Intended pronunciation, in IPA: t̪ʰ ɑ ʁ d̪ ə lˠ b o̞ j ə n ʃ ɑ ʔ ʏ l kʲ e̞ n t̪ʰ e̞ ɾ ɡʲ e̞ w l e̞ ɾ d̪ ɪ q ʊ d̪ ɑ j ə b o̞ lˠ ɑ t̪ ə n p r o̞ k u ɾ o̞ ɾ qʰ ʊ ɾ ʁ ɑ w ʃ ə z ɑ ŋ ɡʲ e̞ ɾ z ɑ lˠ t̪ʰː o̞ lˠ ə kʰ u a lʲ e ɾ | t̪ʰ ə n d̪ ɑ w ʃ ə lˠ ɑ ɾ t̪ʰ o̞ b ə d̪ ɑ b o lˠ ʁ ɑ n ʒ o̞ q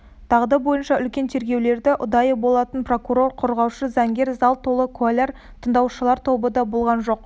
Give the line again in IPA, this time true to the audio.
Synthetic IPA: t̪ʰ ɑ ʁ d̪ ə b o̞ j ə n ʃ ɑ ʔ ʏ l kʲ e̞ n t̪ʰ e̞ ɾ ɡʲ e̞ w l e̞ ɾ d̪ ɪ ʔ ʊ d̪ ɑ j ə b o̞ lˠ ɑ t̪ ə n p r o̞ k u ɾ o̞ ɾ qʰ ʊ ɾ ʁ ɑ w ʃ ə z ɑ ŋ ɡʲ e̞ ɾ z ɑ lˠ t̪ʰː o̞ lˠ ə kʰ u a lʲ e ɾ | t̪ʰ ə n d̪ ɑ w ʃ ə lˠ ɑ ɾ t̪ʰ o̞ b ə d̪ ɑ b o lˠ ʁ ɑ n ʒ o̞ q

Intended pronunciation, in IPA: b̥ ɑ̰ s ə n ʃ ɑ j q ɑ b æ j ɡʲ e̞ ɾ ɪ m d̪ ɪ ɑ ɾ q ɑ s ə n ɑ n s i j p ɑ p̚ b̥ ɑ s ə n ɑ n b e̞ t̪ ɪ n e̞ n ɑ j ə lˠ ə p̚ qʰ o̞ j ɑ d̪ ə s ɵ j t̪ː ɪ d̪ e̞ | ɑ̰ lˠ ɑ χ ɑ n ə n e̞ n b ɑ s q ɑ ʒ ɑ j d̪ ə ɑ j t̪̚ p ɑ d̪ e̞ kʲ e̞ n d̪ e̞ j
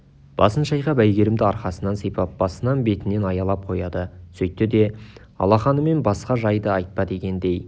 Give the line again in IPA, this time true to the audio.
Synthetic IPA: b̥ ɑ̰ s ə n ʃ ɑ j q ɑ b æ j ɡʲ e̞ ɾ ɪ m d̪ ɪ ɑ ɾ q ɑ s ə n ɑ n s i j p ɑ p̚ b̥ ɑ s ə n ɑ n b e̞ t̪ ɪ n e̞ n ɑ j ɑ lˠ ɑ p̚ qʰ o̞ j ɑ d̪ ə s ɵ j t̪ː ɪ d̪ e̞ | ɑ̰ lˠ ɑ χ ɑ n ə m e̞ n b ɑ s q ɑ ʒ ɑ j d̪ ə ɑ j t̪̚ p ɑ d̪ e̞ kʲ e̞ n d̪ e̞ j

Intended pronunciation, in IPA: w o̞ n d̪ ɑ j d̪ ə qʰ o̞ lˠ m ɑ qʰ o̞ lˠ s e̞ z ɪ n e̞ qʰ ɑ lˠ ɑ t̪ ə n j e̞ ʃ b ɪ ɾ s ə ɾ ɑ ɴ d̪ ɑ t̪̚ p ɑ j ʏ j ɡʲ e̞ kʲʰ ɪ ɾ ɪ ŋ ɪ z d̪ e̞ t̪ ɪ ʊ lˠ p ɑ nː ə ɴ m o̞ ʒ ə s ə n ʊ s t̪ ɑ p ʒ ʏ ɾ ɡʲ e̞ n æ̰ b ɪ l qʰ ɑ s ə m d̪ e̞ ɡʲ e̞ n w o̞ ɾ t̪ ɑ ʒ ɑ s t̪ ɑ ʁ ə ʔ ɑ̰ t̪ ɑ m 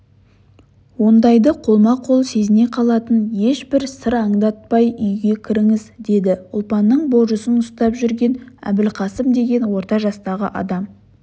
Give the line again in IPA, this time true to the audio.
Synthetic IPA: w o̞ n d̪ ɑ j d̪ ə qʰ o̞ lˠ m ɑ qʰ o̞ lˠ s e̞ z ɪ n e̞ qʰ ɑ lˠ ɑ t̪ ə n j e̞ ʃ b ɪ ɾ s ə ɾ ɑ ɴ d̪ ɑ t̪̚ p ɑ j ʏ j ɡʲ e̞ kʲʰ ɪ ɾ ɪ ŋ ɪ z d̪ e̞ d̪ ɪ ʊ lˠ p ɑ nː ə ɴ b o̞ ʒ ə s ə n ʊ s t̪ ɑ p ʒ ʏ ɾ ɡʲ e̞ n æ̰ b ɪ l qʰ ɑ s ə m d̪ e̞ ɡʲ e̞ n w o̞ ɾ t̪ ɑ ʒ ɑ s t̪ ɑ ʁ ə ʔ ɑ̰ d̪ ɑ m

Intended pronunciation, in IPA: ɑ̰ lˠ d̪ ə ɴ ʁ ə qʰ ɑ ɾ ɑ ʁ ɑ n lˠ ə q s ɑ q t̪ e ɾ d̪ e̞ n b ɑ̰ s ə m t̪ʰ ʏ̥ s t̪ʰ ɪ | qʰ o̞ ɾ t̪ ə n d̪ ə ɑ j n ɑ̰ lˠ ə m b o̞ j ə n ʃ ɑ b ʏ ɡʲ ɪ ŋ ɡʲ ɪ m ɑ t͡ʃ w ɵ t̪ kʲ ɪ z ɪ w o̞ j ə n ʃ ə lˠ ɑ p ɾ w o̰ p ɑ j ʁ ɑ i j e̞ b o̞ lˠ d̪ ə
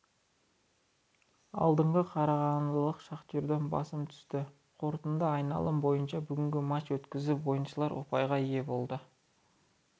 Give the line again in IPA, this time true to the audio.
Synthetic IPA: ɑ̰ lˠ d̪ ə ɴ ʁ ə qʰ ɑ ɾ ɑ ʁ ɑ n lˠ ə q ʃ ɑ q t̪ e ɾ d̪ e̞ n b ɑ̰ s ə m t̪ʰ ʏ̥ s t̪ ɪ | qʰ o̞ ɾ t̪ ə n d̪ ə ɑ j n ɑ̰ lˠ ə m b o̞ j ə n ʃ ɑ b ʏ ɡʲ ɪ ŋ ɡʲ ɪ m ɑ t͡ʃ w ɵ t̪ kʲ ɪ z ɪ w o̞ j ə n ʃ ə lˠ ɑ ɾ w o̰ p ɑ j ʁ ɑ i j e̞ b o̞ lˠ d̪ ə

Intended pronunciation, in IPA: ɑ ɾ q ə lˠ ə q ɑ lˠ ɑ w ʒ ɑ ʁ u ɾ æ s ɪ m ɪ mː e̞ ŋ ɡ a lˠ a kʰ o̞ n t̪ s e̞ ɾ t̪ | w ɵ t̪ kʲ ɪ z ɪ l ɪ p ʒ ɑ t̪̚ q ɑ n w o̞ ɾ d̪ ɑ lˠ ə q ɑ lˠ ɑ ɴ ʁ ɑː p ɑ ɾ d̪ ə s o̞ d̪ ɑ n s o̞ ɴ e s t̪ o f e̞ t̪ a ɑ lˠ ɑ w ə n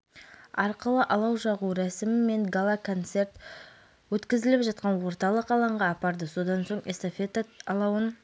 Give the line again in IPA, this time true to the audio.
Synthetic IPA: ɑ ɾ q ə lˠ ə ʔ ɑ lˠ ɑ w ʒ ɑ ʁ u ɾ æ s ɪ m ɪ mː e̞ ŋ ɡ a lˠ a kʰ o̞ n t̪ s e̞ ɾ t̪ | w ɵ t̪ kʲ ɪ z ɪ l ɪ p ʒ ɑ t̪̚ q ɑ n w o̞ ɾ t̪ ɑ lˠ ə q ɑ lˠ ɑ ɴ ʁ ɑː p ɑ ɾ d̪ ə s o̞ d̪ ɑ n s o̞ ɴ e s t̪ o f e̞ t̪ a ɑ lˠ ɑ w ə n

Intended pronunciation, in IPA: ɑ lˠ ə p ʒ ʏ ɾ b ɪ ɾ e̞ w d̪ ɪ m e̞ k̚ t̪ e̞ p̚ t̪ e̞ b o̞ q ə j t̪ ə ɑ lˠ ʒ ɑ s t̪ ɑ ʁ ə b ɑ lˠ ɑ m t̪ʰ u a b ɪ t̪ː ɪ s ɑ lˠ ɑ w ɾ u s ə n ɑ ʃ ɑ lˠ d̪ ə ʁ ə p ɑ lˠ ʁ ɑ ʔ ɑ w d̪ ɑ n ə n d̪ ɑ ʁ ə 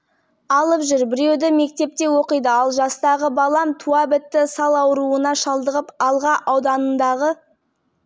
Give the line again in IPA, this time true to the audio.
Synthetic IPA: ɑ lˠ ə p ʒ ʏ ɾ b ɪ ɾ e̞ w d̪ ɪ m e̞ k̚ t̪ e̞ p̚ t̪ e̞ w o̞ q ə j d̪ ə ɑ lˠ ʒ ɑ s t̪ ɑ ʁ ə b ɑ lˠ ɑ m t̪ʰ u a b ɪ t̪ː ɪ s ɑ lˠ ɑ w ɾ u ə n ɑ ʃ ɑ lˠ d̪ ə ʁ ə p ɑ lˠ ʁ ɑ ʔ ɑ w d̪ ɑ n ə n d̪ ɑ ʁ ə

